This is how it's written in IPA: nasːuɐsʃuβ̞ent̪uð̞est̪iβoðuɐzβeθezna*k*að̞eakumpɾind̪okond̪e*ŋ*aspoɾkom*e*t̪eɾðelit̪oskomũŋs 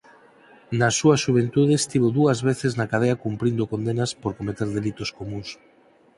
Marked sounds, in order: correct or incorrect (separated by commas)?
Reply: correct, incorrect, correct